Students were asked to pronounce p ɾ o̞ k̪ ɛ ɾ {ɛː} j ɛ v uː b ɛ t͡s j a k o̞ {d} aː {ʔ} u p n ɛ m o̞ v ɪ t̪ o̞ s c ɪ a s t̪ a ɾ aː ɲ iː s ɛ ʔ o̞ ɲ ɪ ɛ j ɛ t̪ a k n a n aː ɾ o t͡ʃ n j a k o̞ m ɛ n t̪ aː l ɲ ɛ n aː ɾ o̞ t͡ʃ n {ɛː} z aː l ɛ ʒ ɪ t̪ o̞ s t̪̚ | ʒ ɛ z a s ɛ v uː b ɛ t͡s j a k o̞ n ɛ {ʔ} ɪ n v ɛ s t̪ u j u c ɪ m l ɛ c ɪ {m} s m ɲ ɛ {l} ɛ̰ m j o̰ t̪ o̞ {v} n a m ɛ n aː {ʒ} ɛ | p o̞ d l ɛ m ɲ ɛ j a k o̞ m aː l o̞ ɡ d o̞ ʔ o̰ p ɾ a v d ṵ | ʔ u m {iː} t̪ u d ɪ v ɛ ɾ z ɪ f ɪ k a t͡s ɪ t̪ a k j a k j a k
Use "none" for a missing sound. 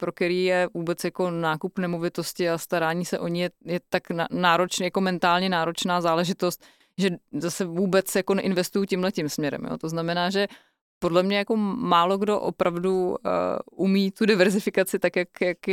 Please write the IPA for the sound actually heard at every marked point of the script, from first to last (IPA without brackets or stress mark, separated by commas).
iː, n, k, aː, ʔ, m, ɾ, z, ʒ, iː